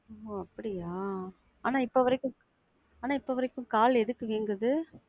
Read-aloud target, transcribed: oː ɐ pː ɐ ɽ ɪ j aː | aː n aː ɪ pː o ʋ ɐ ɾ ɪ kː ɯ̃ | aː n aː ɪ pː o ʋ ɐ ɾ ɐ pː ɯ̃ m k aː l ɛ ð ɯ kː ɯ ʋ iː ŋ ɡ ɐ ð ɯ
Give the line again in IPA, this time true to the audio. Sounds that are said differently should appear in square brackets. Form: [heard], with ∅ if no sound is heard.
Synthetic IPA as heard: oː ɐ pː ɐ ɽ ɪ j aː | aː n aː ɪ pː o ʋ ɐ ɾ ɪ kː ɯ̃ | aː n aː ɪ pː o ʋ ɐ ɾ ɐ [kː] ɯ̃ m k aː l ɛ ð ɯ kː ɯ ʋ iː ŋ ɡ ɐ ð ɯ

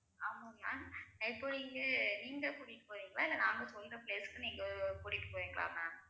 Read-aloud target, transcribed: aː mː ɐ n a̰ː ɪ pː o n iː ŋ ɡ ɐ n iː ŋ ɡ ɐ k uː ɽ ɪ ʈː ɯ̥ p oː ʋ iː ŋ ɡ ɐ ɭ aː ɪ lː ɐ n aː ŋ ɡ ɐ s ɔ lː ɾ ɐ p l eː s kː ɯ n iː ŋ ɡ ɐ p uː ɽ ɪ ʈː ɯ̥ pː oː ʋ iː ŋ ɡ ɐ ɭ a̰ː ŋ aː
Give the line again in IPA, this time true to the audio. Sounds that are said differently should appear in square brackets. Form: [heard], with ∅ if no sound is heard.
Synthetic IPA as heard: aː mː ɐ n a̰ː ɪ pː o n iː ŋ ɡ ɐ n iː ŋ ɡ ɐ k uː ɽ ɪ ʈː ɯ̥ p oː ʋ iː ŋ ɡ ɐ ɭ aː ɪ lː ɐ n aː ŋ ɡ ɐ s ɔ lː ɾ ɐ p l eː s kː ɯ n iː ŋ ɡ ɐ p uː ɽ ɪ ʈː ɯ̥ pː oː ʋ iː ŋ ɡ ɐ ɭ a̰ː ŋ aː

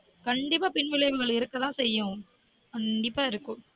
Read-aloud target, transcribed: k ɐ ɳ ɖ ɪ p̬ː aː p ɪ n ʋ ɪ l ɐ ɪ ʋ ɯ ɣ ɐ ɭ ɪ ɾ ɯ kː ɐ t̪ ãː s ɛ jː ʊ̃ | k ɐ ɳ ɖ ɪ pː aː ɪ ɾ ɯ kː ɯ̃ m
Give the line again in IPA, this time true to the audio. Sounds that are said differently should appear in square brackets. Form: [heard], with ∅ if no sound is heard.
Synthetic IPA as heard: k ɐ ɳ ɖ ɪ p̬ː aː p ɪ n ʋ ɪ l ɐ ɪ ʋ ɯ ɣ ɐ ɭ ɪ ɾ ɯ kː ɐ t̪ ãː s ɛ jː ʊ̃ | k ɐ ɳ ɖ ɪ pː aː ɪ ɾ ɯ kː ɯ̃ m

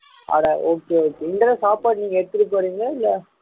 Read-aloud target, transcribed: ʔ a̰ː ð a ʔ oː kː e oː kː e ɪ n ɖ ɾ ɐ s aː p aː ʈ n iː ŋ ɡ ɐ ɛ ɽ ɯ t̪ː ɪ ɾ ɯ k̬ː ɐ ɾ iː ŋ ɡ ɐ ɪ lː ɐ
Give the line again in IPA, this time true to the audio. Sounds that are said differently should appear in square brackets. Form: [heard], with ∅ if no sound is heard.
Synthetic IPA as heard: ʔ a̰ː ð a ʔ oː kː e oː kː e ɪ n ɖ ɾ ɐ s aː p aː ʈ n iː ŋ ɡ ɐ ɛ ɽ ɯ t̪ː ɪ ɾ ɯ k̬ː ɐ ɾ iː ŋ ɡ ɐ ɪ lː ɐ

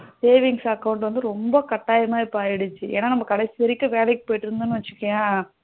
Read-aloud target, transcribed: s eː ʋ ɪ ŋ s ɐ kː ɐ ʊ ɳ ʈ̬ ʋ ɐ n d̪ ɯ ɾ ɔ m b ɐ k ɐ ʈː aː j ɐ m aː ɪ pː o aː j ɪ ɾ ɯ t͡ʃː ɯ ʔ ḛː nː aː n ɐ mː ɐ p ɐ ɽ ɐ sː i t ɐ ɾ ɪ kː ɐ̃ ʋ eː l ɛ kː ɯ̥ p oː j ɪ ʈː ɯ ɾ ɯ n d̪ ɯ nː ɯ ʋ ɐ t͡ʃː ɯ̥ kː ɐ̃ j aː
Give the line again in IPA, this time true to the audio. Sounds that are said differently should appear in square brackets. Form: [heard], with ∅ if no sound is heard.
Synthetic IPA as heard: s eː ʋ ɪ ŋ s ɐ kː ɐ ʊ ɳ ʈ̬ ʋ ɐ n d̪ ɯ ɾ ɔ m b ɐ k ɐ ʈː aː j ɐ m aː ɪ pː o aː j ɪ [ɽ] ɯ t͡ʃː ɯ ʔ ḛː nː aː n ɐ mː ɐ [k] ɐ ɽ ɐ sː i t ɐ ɾ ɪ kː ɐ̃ ʋ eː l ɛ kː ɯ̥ p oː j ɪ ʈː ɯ ɾ ɯ n d̪ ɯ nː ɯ ʋ ɐ t͡ʃː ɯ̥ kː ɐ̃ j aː

